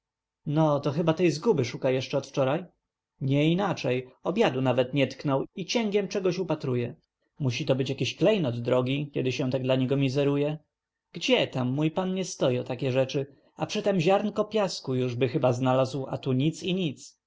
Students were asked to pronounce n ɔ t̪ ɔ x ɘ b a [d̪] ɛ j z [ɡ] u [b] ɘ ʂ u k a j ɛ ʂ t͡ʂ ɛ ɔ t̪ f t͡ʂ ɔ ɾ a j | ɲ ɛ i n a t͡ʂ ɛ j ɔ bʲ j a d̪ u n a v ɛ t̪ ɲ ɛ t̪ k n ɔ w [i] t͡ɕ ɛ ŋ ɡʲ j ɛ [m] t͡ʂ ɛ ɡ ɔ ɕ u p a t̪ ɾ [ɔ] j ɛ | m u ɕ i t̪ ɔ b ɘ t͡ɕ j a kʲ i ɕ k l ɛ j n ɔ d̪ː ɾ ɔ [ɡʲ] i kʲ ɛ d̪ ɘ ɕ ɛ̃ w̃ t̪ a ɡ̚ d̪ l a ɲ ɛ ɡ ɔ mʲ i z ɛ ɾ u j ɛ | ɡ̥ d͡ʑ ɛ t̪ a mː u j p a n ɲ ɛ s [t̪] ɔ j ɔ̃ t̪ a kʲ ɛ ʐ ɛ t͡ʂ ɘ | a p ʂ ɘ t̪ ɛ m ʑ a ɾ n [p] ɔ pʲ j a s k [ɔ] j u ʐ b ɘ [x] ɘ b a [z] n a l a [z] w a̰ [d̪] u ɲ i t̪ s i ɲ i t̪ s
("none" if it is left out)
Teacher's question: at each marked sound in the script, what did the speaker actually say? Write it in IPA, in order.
t̪, ɡ, b, i, m, u, ɡʲ, t̪, k, u, x, z, z, t̪

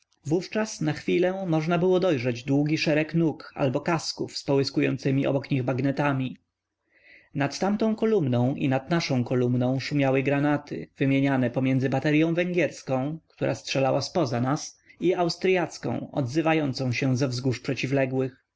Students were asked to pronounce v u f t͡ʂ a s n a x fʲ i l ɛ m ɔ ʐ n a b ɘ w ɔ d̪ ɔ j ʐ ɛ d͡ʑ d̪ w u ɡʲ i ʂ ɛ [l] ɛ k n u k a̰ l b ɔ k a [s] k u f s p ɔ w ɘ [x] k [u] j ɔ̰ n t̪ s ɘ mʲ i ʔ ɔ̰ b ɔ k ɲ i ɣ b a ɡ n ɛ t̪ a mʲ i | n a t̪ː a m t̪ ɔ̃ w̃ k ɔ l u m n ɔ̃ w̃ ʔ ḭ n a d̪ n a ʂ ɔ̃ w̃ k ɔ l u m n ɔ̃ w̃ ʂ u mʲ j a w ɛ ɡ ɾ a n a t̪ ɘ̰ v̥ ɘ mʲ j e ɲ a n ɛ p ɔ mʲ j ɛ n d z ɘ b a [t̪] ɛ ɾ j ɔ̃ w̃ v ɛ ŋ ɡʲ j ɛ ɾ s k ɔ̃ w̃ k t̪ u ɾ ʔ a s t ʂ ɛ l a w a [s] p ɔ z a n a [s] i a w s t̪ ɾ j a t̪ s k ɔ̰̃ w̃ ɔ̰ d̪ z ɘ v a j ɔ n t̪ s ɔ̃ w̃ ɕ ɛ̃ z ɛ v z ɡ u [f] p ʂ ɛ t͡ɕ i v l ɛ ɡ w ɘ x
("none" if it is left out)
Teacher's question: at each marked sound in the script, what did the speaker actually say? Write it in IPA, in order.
ɾ, s, s, u, t̪, s, s, ʂ

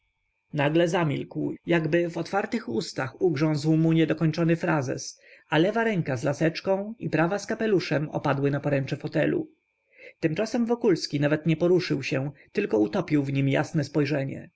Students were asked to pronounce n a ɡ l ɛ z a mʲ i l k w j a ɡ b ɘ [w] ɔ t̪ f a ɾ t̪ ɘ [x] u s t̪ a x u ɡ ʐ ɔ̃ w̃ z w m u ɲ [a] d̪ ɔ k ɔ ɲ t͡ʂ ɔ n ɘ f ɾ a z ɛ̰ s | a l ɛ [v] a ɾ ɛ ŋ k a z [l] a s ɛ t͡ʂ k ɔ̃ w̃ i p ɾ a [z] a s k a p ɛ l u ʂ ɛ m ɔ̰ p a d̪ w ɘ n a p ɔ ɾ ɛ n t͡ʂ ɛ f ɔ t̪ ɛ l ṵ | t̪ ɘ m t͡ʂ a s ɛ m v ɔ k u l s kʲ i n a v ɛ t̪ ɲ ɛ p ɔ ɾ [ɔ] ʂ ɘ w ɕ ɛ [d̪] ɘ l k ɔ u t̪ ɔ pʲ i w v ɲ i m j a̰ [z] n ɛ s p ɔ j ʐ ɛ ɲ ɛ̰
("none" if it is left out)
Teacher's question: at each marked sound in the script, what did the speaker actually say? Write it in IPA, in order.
v, x, ɛ, v, l, v, u, t̪, s

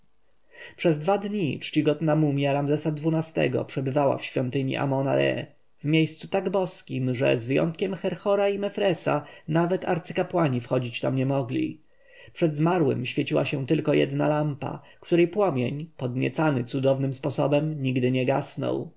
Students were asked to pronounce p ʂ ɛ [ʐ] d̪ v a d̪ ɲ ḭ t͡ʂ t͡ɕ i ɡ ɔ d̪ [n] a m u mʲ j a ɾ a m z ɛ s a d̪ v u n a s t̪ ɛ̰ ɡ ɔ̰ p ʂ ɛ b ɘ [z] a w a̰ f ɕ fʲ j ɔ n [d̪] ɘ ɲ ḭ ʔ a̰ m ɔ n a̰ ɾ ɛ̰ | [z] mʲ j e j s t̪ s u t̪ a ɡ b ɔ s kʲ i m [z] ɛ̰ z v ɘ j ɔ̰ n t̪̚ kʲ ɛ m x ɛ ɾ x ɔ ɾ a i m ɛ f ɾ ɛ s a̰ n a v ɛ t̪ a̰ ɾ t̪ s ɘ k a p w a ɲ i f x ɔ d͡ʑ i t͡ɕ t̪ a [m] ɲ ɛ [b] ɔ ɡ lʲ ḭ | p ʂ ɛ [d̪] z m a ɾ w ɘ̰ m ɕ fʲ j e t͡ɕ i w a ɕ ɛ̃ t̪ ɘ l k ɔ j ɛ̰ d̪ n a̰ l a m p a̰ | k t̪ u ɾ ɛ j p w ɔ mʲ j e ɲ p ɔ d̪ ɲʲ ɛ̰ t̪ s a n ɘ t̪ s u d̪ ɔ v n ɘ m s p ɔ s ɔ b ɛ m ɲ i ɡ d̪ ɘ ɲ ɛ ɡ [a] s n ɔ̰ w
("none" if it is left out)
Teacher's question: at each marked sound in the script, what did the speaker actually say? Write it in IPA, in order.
z, n, v, t̪, v, ʐ, m, m, d̪, a

